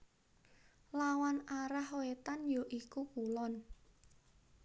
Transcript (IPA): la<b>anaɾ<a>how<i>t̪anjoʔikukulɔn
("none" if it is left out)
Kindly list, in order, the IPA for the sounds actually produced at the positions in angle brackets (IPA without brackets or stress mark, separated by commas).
w, a, e